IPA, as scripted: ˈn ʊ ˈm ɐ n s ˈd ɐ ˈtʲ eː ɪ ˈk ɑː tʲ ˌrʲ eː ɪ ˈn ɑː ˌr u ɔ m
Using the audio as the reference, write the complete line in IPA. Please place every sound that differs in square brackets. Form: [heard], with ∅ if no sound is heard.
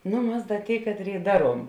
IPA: ˈn ʊ ˈm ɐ [∅] s ˈd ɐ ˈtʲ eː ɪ ˈk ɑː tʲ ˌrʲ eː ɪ [ˈd] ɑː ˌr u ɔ m